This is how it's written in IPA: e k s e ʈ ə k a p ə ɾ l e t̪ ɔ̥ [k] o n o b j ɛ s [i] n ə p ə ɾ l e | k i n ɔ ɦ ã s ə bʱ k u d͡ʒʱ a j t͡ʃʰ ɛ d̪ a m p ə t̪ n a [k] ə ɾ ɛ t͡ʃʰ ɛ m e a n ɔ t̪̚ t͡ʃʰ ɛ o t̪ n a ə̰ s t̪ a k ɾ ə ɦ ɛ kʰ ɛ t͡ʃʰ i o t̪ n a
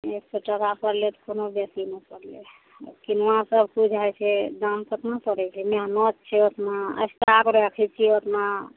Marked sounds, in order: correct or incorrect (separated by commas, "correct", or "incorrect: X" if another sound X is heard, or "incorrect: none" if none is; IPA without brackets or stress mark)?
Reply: correct, correct, incorrect: p